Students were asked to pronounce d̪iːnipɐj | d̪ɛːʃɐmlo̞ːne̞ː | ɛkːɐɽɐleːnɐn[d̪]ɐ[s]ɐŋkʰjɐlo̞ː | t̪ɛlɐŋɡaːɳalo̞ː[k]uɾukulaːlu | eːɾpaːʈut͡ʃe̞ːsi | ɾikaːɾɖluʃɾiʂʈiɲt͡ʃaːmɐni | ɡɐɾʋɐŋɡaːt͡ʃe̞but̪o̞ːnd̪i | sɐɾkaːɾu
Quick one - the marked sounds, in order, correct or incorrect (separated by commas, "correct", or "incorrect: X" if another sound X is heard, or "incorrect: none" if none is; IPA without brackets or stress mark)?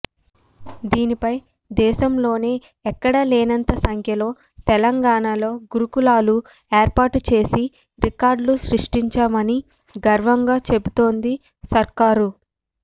incorrect: t̪, correct, incorrect: ɡ